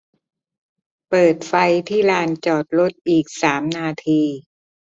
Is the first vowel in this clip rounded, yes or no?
no